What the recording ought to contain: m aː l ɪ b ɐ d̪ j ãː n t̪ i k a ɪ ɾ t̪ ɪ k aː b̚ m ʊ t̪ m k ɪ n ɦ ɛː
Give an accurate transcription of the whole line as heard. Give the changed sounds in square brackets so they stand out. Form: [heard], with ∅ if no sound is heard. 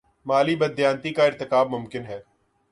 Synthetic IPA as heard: m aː l [i] b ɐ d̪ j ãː n t̪ i k a ɪ ɾ t̪ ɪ k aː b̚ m ʊ [∅] m k ɪ n ɦ ɛː